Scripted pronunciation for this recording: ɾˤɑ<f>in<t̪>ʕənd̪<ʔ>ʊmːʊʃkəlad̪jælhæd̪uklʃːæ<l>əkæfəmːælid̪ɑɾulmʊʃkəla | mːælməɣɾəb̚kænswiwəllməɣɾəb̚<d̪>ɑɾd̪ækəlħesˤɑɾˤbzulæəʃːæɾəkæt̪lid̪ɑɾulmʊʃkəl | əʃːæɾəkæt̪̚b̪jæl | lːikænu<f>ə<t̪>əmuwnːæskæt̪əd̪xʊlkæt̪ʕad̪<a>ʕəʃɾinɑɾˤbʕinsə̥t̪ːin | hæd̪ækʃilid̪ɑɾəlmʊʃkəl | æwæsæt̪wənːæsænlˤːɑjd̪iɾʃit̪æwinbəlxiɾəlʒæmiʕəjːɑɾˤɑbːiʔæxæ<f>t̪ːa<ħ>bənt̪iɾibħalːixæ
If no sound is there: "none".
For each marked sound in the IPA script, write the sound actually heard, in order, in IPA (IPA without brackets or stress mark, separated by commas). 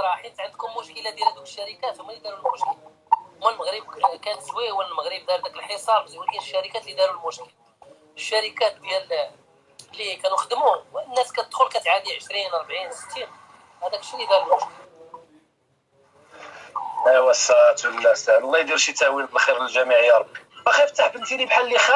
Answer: ħ, t̪, k, ɾ, d̪, x, d̪, i, f, ħ